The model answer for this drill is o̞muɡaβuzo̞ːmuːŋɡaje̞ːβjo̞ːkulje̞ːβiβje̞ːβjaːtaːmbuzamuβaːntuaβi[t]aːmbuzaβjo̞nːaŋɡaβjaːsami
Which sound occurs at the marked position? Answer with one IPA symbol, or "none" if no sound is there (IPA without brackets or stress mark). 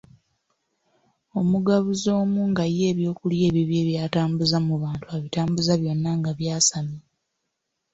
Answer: t